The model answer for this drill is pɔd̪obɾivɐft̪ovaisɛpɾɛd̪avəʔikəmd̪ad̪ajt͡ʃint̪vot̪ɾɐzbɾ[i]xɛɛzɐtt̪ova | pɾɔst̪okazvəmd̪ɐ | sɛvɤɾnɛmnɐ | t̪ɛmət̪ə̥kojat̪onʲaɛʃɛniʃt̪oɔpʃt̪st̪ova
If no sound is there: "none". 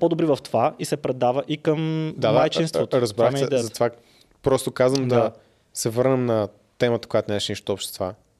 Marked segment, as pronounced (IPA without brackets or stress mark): a